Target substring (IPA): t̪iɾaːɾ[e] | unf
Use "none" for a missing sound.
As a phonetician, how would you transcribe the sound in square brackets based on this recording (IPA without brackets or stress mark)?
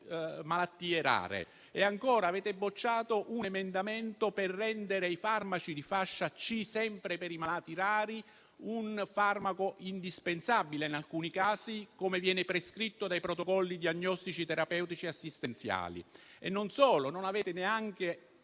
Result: i